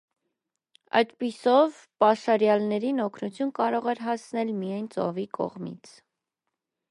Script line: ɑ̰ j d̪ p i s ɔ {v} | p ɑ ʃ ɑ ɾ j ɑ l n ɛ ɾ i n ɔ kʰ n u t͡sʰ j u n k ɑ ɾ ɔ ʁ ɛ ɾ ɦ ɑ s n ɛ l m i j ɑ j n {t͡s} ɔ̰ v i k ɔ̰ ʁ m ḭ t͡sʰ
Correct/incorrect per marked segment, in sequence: correct, correct

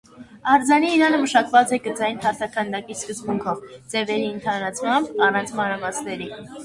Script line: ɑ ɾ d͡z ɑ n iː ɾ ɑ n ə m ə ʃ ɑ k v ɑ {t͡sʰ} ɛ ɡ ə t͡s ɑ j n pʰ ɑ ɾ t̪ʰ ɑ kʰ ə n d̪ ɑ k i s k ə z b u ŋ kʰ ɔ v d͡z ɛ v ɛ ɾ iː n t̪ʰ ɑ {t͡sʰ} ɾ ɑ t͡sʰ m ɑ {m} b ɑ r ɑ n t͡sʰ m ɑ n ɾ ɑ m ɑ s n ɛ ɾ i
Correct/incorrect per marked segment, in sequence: incorrect: t͡s, incorrect: none, correct

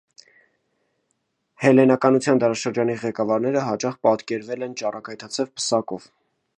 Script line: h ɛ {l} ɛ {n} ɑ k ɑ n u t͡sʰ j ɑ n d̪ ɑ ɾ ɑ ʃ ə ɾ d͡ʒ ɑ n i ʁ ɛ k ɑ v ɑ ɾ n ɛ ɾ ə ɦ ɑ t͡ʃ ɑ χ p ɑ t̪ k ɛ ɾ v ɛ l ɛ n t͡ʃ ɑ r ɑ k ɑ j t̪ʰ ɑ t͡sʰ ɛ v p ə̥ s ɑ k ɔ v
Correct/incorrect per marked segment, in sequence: correct, correct

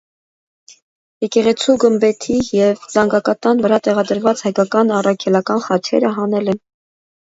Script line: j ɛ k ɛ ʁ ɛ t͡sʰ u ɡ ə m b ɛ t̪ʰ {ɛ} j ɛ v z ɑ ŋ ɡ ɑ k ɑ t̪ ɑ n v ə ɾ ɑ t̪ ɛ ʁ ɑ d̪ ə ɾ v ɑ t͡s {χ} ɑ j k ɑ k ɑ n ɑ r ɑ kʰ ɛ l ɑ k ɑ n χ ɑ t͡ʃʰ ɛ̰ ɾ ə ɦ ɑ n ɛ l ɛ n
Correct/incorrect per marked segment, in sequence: incorrect: i, incorrect: h

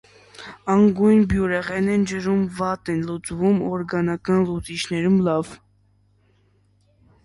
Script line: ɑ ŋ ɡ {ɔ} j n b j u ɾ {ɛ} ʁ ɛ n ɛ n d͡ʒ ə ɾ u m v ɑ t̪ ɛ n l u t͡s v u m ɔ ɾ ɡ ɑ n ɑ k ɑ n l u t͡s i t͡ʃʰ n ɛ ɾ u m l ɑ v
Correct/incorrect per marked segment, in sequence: incorrect: u, correct

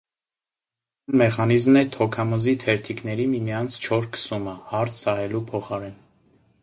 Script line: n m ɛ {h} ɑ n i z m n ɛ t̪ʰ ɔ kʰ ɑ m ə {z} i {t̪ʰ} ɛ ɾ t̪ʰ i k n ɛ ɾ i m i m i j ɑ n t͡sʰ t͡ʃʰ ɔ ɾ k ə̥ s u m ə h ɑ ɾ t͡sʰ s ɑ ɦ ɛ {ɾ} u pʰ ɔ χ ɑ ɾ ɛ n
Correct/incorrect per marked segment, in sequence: incorrect: χ, correct, correct, incorrect: l

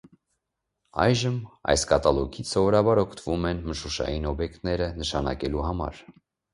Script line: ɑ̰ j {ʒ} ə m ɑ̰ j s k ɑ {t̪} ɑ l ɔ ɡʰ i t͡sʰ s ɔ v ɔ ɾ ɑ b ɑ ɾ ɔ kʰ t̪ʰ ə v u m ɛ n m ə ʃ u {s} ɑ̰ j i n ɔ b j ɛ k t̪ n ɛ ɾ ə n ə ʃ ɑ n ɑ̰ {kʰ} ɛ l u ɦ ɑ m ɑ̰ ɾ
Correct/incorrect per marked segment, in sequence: correct, correct, incorrect: ʃ, incorrect: k

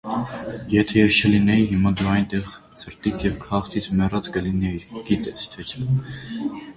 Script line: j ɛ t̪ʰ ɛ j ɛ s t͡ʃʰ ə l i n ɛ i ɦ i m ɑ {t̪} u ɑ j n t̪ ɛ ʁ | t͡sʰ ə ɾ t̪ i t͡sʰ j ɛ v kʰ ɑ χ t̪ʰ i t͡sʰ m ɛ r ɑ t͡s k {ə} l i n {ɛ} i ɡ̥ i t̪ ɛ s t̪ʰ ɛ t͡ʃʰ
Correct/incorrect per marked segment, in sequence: incorrect: d̪, correct, correct

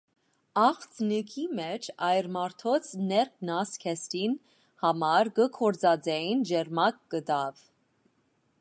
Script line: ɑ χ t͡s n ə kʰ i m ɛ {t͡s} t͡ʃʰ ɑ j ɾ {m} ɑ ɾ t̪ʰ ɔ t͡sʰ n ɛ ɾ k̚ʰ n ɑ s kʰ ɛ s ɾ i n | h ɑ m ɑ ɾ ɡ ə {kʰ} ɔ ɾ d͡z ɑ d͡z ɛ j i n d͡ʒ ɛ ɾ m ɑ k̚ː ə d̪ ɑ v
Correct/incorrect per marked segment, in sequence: incorrect: none, correct, correct

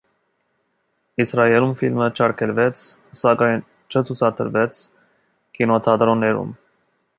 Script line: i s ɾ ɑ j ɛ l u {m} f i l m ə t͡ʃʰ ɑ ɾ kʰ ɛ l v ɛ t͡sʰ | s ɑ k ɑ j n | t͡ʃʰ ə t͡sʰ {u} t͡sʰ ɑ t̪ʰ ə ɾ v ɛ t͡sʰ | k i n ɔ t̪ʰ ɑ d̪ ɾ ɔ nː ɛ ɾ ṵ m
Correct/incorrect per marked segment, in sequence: correct, correct

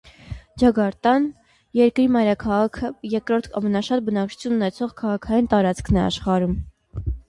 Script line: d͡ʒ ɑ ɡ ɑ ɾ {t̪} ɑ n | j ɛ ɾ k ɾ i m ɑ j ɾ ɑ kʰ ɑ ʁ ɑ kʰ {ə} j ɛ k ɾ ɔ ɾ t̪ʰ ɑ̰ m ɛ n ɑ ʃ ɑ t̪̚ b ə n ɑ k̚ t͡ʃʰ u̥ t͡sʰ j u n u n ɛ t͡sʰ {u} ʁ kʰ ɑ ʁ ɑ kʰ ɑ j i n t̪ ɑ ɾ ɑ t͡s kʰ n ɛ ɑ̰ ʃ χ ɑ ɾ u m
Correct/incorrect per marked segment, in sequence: correct, correct, incorrect: ɔ

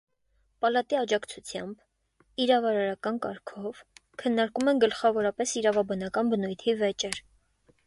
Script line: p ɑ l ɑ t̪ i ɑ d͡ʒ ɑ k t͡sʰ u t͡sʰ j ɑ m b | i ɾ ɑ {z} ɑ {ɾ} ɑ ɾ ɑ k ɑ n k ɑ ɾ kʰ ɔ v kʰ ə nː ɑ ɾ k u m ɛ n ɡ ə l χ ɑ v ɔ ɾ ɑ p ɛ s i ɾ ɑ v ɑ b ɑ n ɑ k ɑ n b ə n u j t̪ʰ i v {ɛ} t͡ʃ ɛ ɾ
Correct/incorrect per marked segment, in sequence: incorrect: v, correct, correct

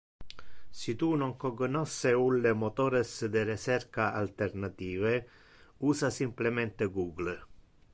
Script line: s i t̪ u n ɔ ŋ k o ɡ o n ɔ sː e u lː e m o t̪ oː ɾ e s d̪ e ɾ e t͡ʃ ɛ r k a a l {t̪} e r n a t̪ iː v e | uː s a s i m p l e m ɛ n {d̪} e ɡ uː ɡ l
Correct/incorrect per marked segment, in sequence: correct, incorrect: t̪

